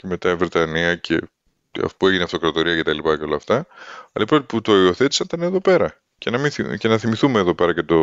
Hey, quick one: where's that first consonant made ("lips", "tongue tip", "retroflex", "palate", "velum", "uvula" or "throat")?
palate